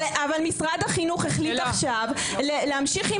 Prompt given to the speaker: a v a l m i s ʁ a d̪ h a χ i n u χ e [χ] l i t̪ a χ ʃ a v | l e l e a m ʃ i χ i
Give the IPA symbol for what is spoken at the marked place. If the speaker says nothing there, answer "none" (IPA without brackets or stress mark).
χ